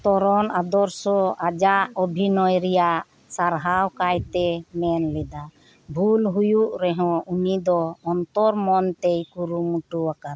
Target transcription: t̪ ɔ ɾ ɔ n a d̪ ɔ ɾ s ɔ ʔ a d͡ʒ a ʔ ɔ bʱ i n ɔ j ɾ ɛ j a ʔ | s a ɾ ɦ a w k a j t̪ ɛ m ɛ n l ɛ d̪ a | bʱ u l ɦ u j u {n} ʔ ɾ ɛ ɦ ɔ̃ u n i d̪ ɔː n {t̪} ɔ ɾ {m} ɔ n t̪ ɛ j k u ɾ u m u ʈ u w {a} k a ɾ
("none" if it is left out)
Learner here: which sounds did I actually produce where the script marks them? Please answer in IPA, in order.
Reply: none, t̪, m, a

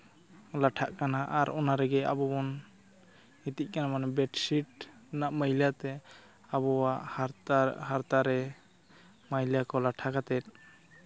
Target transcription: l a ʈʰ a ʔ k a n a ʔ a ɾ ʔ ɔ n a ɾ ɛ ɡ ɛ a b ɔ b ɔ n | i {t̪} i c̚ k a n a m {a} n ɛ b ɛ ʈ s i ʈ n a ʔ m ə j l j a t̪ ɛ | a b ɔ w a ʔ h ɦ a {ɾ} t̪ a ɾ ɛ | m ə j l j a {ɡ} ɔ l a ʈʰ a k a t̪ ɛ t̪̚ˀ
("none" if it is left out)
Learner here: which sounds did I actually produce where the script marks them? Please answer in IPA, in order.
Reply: t̪, a, ɾ, k

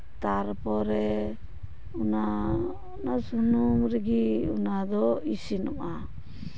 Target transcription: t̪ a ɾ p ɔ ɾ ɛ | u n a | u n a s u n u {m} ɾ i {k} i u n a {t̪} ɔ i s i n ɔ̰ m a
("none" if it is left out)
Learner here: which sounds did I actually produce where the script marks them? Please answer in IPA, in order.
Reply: m, ɡ, d̪

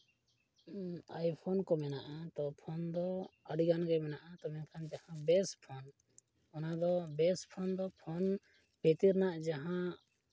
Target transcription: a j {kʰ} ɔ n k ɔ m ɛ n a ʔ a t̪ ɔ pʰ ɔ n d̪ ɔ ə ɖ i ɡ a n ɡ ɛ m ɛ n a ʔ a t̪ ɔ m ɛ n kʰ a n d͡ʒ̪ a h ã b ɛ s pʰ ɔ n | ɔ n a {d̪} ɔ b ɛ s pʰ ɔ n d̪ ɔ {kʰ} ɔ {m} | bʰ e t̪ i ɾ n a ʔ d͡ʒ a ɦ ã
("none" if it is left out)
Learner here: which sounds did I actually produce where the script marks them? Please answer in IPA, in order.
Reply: pʰ, d̪, pʰ, n

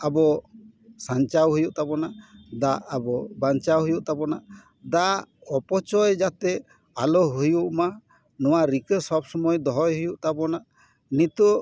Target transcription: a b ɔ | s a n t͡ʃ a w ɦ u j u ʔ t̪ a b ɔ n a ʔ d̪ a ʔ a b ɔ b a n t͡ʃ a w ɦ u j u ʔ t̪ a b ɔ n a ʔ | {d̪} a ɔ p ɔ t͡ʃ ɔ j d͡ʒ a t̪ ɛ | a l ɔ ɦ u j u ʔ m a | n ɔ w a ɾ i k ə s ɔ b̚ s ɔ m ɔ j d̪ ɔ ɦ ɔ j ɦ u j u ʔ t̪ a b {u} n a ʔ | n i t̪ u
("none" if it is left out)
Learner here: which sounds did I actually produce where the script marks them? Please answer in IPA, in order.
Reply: d̪, ɔ

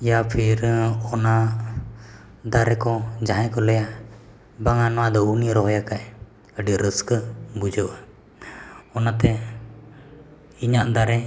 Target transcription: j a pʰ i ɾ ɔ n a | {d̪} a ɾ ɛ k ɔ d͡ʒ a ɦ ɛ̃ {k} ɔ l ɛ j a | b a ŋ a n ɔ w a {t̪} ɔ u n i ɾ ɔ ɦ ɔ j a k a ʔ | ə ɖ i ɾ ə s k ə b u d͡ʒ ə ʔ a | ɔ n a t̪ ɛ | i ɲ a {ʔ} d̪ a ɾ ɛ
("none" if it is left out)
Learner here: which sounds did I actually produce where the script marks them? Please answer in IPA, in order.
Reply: d̪, k, d̪, ʔ

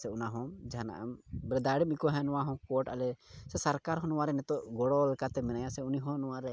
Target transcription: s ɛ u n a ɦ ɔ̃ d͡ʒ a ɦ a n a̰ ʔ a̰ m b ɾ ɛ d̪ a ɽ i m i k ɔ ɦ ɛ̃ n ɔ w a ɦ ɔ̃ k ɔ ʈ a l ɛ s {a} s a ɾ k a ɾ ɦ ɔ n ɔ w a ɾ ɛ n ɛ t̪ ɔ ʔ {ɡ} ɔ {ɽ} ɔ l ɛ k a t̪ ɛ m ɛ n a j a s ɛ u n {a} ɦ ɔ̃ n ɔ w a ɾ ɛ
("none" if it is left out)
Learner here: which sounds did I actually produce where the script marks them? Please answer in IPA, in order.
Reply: ɛ, ɡ, ɽ, i

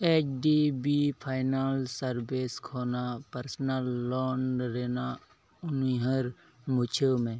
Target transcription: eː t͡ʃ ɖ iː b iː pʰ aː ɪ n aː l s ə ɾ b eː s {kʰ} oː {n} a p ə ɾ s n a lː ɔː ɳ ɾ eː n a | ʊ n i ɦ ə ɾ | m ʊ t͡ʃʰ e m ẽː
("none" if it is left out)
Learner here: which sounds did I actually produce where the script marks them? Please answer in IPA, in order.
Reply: kʰ, n

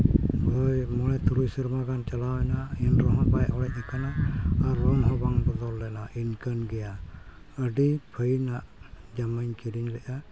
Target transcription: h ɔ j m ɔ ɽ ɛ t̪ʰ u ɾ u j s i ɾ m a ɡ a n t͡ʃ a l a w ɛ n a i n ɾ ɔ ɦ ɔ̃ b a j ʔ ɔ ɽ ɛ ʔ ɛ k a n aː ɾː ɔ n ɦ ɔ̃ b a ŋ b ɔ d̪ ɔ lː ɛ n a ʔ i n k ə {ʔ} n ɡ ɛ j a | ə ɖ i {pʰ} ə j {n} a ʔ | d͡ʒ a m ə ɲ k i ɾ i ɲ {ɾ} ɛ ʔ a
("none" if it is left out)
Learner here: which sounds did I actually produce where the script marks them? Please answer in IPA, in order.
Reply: none, pʰ, n, l

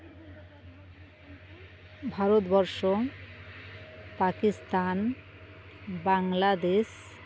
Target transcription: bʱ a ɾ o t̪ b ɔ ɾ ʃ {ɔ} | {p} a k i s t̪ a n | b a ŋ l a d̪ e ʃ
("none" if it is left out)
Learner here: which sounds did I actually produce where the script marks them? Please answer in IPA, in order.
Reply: o, p

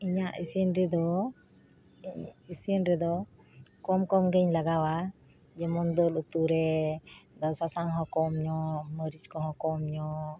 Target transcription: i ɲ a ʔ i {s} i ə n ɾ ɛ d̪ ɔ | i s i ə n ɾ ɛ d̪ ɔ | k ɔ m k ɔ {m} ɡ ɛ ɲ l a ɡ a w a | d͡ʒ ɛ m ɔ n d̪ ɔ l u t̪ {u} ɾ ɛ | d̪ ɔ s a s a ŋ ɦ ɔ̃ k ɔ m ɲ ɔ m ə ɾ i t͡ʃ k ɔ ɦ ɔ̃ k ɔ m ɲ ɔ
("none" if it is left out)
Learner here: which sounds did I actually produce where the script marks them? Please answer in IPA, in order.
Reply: s, m, u

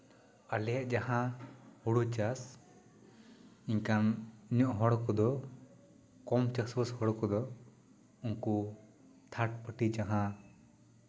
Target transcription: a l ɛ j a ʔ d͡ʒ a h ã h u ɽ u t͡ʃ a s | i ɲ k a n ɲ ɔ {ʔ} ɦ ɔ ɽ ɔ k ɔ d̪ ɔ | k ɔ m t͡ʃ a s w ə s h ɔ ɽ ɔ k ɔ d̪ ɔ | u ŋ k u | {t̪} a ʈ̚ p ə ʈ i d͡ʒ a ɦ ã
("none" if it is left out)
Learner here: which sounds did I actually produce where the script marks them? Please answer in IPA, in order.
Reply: ʔ, t̪ʰ

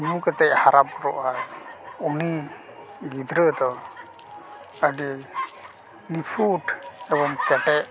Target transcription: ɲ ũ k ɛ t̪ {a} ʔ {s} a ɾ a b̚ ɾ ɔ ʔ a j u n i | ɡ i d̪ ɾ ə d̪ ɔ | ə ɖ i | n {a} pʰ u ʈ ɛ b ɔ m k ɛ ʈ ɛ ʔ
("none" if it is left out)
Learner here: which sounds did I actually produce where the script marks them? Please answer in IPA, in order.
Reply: ɛ, h, i

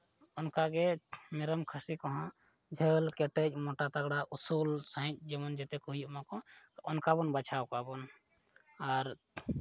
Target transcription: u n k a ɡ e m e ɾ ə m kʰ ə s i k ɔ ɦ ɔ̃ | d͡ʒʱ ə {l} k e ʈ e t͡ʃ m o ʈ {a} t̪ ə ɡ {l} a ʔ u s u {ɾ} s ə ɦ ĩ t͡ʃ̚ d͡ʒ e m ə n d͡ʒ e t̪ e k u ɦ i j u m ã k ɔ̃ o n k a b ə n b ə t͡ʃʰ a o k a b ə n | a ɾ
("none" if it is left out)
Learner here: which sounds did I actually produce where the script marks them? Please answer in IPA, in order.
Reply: l, a, ɽ, l

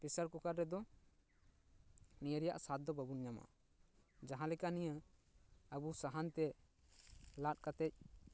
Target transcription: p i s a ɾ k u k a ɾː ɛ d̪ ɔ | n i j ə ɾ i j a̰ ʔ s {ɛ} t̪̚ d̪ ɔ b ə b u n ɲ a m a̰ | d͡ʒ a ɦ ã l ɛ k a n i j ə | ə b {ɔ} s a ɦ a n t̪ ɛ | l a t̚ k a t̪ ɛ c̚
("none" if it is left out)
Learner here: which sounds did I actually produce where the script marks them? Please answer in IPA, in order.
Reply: a, u

